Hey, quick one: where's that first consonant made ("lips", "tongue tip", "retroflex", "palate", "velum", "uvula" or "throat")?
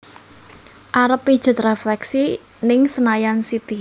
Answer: throat